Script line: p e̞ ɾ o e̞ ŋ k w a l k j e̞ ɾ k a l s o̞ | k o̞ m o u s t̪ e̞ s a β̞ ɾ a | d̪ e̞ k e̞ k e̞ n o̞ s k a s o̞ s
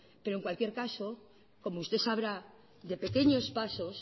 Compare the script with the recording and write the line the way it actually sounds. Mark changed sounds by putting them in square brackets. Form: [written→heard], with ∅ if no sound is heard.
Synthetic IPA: p e̞ ɾ o e̞ ŋ k w a l k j e̞ ɾ k a [l→∅] s o̞ | k o̞ m o u s t̪ e̞ s a β̞ ɾ a | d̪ e̞ [k→p] e̞ k e̞ [n→ɲ] o̞ s [k→p] a s o̞ s